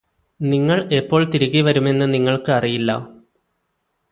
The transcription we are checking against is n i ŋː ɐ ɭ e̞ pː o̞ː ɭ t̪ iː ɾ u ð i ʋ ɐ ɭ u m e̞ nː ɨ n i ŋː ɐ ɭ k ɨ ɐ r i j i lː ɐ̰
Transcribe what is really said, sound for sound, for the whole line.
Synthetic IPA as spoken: n i ŋː ɐ ɭ e̞ pː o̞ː ɭ t̪ i ɾ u ɣ i ʋ ɐ ɾ u m e̞ nː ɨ n i ŋː ɐ ɭ k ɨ ɐ r i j i lː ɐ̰